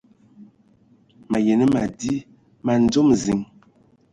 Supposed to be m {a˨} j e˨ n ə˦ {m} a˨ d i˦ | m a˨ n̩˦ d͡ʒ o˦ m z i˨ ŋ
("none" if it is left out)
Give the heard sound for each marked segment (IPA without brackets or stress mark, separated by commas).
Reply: a˨, m